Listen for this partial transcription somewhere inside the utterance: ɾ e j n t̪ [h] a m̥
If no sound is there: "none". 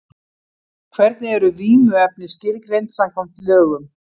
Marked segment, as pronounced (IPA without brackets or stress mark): s